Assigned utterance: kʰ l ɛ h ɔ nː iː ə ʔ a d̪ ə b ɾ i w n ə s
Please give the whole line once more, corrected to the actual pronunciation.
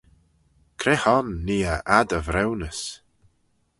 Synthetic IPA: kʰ ɾ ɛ h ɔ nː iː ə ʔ a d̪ ə v ɾ ɛ w n ə s